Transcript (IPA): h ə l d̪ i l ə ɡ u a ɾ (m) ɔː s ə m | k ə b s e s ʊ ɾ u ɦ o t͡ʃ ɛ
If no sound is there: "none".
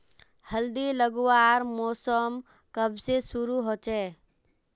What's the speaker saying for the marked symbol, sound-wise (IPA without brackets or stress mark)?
m